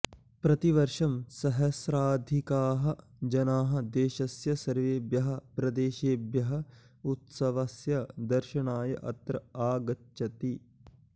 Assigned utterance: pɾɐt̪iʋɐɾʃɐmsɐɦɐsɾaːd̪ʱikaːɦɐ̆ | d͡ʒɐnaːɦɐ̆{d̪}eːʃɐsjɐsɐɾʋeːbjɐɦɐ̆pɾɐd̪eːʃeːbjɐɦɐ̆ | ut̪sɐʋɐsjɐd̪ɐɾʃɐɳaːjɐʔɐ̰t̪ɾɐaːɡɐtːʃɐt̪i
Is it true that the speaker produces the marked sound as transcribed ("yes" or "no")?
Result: yes